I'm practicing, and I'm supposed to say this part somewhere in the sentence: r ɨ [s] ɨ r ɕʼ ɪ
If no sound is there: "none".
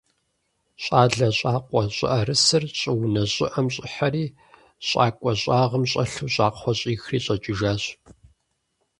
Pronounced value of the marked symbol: s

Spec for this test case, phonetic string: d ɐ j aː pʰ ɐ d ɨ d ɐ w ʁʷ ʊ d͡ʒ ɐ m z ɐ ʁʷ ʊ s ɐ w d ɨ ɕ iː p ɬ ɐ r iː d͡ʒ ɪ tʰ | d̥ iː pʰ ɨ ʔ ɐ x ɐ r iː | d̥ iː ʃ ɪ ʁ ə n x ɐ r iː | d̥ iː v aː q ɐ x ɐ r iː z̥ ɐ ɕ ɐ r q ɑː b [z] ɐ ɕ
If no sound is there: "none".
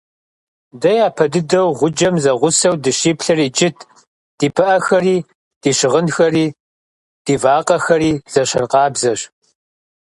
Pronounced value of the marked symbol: z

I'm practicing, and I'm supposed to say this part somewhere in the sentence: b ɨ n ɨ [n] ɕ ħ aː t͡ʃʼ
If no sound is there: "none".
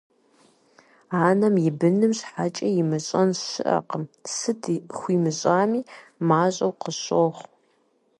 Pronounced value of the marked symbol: m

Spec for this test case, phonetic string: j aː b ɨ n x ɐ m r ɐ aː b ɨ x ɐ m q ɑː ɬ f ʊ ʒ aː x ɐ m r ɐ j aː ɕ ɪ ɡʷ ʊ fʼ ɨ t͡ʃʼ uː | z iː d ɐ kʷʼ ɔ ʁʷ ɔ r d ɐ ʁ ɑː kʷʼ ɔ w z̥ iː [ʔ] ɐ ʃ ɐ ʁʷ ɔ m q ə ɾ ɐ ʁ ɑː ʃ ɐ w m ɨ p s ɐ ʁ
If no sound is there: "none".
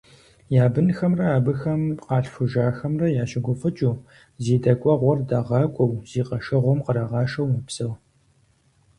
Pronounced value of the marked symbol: q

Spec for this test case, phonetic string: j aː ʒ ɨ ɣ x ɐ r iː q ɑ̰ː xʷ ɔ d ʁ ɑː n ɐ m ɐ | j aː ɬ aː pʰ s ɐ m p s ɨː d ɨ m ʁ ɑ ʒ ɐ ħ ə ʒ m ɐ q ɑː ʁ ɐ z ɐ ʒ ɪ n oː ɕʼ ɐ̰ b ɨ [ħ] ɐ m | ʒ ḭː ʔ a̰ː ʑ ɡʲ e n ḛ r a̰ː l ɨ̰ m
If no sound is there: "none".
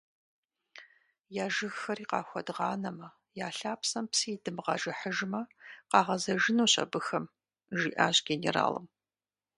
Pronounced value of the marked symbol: x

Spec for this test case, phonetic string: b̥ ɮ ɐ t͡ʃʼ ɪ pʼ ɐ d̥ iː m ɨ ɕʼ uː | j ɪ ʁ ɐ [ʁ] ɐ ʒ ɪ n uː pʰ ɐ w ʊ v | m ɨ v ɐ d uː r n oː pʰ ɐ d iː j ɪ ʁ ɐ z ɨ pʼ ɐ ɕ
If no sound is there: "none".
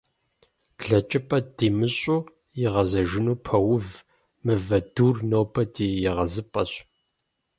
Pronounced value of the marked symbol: z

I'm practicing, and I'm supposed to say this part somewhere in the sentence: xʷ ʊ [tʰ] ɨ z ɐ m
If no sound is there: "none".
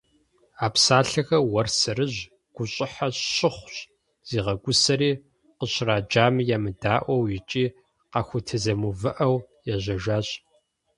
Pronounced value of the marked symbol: tʰ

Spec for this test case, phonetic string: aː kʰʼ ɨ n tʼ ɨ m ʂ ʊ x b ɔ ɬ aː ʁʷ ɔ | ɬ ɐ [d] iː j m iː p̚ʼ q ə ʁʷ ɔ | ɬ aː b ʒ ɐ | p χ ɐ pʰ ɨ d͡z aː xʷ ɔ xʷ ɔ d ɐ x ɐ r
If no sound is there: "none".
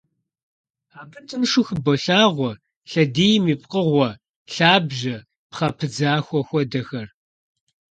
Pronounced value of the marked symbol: d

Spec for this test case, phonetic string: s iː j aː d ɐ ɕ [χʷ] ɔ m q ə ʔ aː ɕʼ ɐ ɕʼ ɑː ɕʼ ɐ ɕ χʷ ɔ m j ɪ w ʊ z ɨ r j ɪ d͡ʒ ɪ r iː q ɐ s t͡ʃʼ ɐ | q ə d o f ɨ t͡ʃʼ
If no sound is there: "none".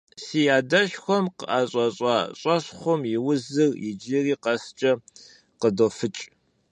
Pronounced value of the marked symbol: xʷ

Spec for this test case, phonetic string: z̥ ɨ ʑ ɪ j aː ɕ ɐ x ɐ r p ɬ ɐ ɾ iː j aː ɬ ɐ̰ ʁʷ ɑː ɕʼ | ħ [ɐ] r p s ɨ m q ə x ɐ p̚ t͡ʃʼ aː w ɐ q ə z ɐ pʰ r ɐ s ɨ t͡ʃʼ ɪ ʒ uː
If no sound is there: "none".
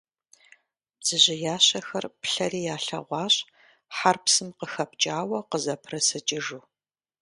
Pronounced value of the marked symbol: a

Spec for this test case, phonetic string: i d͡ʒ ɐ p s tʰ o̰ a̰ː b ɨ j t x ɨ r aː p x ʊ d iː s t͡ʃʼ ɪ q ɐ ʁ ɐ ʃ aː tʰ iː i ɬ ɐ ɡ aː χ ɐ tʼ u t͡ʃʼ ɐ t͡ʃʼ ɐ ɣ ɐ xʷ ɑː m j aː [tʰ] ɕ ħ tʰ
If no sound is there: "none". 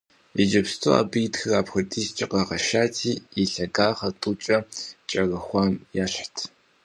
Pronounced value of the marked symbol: none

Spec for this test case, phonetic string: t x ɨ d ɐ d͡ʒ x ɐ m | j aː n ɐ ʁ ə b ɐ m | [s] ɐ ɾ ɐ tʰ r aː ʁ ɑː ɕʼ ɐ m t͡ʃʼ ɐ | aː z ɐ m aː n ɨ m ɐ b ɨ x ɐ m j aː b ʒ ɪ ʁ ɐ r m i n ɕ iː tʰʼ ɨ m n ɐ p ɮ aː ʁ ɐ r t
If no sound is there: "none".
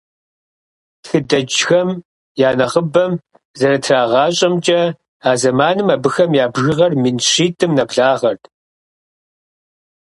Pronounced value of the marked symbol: z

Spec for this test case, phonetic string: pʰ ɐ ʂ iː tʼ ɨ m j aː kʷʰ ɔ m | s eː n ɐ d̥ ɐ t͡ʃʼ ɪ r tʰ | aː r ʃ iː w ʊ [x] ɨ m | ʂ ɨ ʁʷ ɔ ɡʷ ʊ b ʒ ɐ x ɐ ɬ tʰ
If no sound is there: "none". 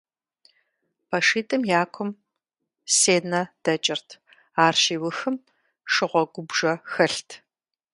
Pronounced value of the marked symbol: x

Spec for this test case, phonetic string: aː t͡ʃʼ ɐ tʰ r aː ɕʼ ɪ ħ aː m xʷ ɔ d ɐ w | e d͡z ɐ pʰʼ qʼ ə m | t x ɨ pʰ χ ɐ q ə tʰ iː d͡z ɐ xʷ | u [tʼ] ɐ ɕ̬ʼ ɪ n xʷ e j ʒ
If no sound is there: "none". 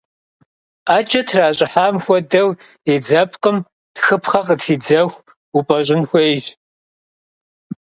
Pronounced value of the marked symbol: pʼ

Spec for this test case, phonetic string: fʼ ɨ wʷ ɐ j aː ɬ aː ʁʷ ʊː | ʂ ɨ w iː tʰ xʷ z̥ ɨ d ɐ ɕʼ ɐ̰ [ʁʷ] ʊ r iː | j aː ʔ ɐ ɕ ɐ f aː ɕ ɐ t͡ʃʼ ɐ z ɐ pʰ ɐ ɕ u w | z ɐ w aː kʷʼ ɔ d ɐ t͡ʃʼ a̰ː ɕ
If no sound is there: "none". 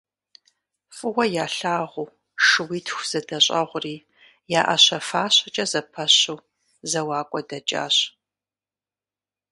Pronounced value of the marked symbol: ʁʷ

